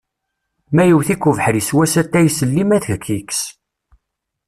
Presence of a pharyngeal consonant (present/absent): present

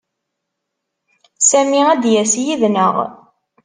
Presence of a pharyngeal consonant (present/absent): absent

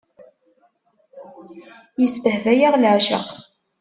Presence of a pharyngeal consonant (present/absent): present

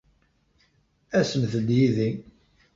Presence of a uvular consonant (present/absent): absent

